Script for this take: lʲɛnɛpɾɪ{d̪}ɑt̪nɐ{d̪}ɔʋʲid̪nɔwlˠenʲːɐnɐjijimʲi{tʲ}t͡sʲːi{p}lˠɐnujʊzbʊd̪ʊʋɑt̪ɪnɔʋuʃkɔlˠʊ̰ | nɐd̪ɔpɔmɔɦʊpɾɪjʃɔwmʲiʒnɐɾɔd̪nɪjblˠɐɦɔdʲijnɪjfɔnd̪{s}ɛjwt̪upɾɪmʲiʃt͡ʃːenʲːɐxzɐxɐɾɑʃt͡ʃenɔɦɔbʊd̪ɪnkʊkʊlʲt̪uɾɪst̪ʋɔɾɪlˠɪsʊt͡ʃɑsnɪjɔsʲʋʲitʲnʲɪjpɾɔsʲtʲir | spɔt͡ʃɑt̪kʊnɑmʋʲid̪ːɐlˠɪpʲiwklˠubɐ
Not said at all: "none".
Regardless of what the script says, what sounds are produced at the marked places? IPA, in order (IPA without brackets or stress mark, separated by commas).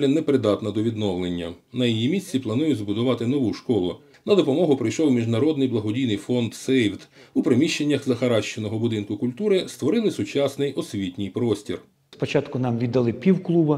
d̪, d̪, sʲ, p, s